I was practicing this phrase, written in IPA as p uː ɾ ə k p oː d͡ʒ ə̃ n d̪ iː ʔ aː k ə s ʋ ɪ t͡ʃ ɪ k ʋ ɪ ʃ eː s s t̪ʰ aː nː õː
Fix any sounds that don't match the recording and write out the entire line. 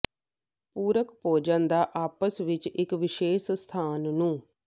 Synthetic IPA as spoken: p uː ɾ ə k p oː d͡ʒ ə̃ n d̪ aː ʔ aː p ə s ʋ ɪ t͡ʃ ɪ k ʋ ɪ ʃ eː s s t̪ʰ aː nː ũː

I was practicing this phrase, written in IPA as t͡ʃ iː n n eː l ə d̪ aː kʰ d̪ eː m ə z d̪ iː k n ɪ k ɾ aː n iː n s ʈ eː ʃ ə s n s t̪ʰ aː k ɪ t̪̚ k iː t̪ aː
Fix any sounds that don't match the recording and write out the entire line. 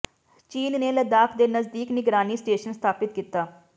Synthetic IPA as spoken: t͡ʃ iː n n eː l ə d̪ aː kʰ d̪ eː n ə z d̪ iː k n ɪ ɡ ɾ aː n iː s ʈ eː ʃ ə n s t̪ʰ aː p ɪ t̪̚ k iː t̪ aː

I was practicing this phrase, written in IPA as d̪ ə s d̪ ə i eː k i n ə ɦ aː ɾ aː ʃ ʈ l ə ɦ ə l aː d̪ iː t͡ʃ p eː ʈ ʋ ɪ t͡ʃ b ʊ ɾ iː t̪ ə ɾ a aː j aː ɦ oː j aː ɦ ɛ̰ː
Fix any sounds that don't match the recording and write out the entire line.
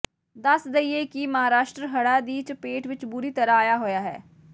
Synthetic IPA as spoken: d̪ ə s d̪ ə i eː k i m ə ɦ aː ɾ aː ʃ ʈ ɾ ə ɦ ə ɽ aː d̪ iː t͡ʃ p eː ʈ ʋ ɪ t͡ʃ b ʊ ɾ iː t̪ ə ɾ a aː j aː ɦ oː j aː ɦ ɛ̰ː

